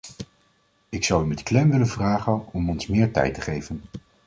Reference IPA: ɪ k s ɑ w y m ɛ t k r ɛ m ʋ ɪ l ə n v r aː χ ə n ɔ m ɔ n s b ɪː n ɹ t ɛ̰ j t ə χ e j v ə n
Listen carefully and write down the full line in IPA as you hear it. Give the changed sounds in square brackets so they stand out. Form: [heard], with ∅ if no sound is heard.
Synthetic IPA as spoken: ɪ k s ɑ w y m ɛ t k [l] ɛ m ʋ ɪ l ə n v r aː χ ə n ɔ m ɔ n s [m] ɪː [∅] ɹ t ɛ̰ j t ə χ e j v ə n